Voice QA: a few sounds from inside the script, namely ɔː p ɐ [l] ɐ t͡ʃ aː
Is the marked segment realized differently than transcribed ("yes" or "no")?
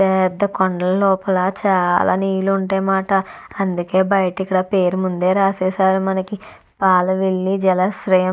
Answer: no